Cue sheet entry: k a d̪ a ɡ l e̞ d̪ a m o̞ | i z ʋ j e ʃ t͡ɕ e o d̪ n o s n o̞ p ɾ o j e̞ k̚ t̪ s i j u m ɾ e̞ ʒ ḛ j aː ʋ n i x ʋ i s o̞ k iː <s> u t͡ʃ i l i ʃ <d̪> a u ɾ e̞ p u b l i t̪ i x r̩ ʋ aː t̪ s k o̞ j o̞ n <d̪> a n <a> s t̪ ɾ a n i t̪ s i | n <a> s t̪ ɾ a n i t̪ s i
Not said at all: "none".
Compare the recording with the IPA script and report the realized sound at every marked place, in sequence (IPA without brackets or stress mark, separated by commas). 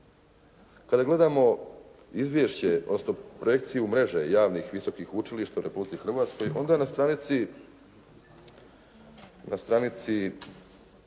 x, t̪, d̪, a, a